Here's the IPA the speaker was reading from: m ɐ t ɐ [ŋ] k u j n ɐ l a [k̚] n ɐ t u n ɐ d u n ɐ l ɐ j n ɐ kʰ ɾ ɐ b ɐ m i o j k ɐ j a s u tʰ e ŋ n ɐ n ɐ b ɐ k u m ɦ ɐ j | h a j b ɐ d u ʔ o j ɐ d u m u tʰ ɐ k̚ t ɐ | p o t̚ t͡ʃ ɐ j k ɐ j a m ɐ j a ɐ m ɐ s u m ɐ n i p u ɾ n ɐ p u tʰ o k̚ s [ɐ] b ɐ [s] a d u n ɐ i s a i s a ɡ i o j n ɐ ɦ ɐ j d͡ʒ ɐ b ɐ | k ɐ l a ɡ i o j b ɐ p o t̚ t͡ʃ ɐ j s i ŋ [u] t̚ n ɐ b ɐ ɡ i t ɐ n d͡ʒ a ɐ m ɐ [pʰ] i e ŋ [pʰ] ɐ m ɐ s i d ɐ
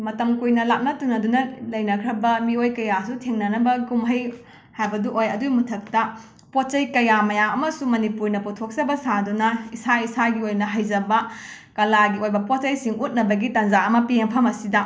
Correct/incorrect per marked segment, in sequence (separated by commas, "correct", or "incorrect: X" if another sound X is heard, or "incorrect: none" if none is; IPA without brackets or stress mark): incorrect: m, incorrect: p̚, correct, correct, correct, incorrect: p, correct